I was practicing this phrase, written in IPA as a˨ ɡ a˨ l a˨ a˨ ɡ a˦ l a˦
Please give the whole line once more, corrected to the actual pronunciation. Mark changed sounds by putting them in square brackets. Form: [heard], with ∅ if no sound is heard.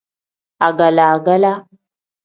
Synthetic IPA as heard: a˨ ɡ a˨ l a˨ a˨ ɡ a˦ l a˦